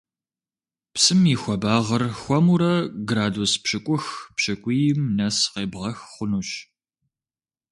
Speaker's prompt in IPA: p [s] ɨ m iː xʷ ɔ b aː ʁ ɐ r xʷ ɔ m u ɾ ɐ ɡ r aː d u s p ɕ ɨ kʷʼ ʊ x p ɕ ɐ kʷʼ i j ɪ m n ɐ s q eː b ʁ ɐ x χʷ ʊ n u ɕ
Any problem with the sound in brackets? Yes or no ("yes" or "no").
no